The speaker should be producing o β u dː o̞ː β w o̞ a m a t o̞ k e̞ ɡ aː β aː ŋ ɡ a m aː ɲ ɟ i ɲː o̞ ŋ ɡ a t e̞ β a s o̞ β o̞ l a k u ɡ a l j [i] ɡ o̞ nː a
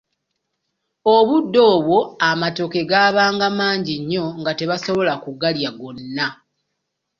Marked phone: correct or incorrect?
incorrect